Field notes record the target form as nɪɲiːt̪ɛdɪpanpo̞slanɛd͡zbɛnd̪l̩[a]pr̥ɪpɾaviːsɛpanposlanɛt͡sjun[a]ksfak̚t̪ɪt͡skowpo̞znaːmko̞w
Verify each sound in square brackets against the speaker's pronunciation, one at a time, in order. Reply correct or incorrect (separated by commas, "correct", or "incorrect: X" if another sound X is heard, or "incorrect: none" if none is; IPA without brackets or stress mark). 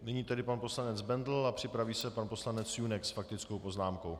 correct, incorrect: ɛ